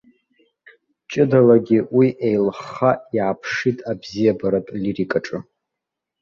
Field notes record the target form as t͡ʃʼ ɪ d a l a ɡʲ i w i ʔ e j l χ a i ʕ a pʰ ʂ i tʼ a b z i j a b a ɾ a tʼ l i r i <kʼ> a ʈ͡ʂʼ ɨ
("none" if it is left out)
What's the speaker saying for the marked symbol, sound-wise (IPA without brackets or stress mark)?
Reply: kʼ